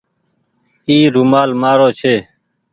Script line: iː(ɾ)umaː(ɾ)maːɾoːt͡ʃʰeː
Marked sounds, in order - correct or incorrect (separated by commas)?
correct, incorrect